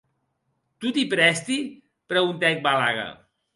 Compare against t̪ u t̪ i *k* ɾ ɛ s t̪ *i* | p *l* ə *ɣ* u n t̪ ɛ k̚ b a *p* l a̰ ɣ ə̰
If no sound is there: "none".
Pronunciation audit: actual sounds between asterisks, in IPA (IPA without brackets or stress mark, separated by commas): p, i, ɾ, ɣ, none